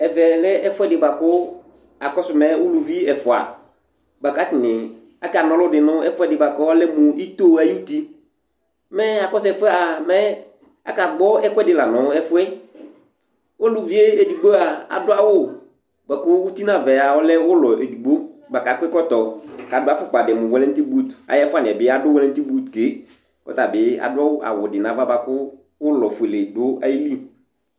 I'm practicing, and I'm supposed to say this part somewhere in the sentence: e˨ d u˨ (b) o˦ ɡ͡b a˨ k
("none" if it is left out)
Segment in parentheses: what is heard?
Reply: ɡ͡b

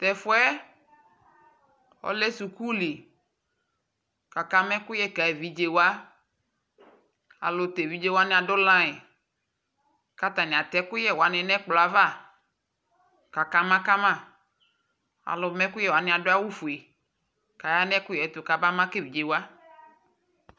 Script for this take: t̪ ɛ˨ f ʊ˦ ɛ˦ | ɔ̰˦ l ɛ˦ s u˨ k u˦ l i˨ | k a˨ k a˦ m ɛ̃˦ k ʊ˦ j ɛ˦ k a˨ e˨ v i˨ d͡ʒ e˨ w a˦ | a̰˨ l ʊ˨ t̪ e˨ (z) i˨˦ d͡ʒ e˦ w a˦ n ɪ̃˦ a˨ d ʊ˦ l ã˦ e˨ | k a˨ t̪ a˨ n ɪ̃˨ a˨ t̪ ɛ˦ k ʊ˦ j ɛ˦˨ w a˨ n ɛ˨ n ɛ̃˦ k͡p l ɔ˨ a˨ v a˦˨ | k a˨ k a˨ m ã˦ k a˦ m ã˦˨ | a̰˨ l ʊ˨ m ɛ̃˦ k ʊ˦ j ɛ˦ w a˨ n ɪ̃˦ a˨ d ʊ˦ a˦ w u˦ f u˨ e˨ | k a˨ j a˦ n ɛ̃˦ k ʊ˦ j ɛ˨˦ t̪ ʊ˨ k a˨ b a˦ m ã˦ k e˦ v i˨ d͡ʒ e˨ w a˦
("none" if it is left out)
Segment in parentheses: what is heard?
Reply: v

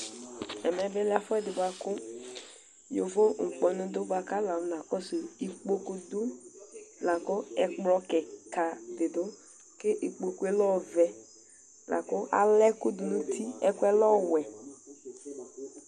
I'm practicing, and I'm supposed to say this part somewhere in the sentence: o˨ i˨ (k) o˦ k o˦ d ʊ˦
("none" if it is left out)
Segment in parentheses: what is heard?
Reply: k͡p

